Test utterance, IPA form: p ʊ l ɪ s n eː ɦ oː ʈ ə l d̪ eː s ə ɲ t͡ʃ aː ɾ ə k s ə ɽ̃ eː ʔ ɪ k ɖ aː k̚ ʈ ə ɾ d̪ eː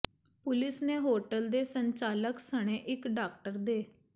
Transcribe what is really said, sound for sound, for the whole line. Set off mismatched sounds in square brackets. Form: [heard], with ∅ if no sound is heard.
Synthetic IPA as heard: p ʊ l ɪ s n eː ɦ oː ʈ ə l d̪ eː s ə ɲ t͡ʃ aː [l] ə k s ə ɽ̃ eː ʔ ɪ k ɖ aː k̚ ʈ ə ɾ d̪ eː